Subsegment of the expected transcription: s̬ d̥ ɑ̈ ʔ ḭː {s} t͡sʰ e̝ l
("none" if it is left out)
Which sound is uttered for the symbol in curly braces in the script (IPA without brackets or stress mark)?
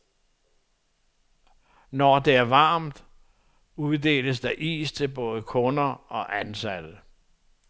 s